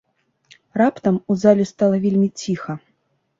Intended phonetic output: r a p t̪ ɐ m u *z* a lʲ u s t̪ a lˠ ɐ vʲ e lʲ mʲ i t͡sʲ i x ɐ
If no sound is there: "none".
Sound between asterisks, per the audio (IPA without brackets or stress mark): z